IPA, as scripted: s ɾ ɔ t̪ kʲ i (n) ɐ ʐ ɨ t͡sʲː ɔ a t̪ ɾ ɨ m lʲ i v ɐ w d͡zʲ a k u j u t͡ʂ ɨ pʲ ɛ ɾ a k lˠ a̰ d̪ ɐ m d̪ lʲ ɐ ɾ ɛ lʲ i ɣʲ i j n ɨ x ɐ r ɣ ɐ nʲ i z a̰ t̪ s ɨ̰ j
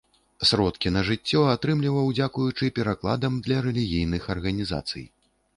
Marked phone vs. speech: correct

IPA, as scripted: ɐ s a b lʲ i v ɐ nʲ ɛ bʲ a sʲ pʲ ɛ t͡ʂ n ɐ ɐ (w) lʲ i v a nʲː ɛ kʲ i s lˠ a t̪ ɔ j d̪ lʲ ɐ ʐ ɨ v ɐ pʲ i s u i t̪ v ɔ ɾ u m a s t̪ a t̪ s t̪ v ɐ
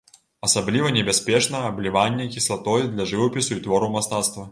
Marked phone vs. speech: incorrect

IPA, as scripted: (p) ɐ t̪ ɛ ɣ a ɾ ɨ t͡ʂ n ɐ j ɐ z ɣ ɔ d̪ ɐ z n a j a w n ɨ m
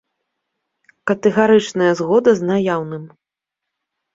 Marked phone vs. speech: incorrect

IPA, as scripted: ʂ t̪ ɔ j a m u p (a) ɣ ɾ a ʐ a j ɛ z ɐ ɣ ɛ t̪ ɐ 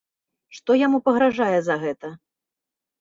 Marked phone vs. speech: incorrect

